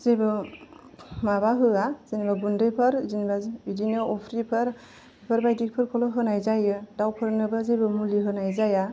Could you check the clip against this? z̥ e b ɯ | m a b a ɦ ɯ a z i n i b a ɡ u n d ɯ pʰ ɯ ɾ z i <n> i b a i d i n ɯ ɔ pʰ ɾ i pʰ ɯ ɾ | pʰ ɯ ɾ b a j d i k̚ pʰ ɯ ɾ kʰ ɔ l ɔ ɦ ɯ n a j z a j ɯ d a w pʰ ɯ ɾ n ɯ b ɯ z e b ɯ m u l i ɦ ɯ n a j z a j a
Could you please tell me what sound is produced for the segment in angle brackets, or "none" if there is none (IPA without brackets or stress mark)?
n